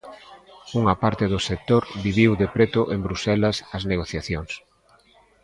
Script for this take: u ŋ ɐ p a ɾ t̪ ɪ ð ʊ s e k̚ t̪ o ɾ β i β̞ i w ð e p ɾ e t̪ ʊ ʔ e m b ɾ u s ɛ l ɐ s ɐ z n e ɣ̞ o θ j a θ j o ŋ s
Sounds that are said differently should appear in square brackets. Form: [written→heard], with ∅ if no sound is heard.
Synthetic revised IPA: u ŋ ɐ p a ɾ t̪ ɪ ð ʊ s e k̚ t̪ o ɾ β i β̞ i w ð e p ɾ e t̪ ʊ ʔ e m b ɾ u s ɛ l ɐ s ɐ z n e ɣ̞ o θ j a θ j o ŋ s